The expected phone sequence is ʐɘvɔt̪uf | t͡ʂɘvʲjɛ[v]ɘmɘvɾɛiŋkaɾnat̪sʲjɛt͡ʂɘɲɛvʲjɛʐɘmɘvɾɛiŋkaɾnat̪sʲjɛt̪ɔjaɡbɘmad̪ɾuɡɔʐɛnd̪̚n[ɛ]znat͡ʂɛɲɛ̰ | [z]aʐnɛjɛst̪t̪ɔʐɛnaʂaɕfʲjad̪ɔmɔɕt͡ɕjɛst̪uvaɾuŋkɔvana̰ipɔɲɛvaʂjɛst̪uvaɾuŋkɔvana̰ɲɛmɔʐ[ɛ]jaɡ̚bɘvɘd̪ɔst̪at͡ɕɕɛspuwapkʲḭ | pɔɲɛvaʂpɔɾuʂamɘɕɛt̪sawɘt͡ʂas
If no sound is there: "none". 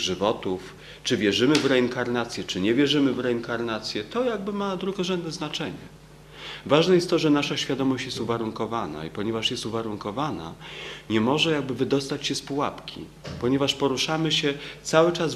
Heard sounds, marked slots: ʐ, ɛ, v, ɛ

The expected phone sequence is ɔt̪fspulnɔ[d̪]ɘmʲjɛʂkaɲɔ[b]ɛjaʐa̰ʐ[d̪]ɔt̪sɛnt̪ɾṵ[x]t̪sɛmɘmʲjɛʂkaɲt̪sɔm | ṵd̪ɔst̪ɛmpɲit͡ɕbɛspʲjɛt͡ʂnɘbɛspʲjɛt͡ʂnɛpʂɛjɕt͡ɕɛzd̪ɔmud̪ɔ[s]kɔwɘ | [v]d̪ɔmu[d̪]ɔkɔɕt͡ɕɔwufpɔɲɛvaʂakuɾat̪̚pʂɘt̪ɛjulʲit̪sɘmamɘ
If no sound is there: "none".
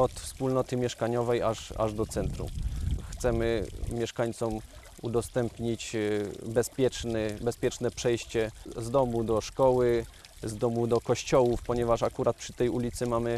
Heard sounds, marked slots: t̪, v, d̪, x, ʂ, z, d̪

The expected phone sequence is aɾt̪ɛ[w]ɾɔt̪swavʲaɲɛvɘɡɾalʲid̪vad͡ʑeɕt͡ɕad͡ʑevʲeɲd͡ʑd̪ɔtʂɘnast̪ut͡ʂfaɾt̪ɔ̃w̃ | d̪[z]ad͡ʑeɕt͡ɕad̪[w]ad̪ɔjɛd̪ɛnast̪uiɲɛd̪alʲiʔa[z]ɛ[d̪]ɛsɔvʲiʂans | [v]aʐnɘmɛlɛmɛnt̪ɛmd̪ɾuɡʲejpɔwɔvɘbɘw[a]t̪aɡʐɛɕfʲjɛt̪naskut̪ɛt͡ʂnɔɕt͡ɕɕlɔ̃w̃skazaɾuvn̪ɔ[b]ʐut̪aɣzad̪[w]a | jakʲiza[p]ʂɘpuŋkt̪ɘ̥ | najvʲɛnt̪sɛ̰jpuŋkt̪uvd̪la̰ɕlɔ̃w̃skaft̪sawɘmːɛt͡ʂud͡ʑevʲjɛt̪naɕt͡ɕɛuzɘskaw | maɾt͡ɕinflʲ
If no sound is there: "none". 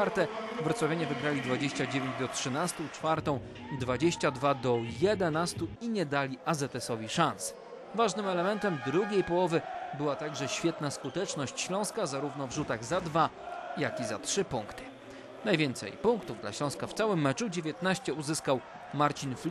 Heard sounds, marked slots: v, v, v, z, t̪, v, a, v, v, t

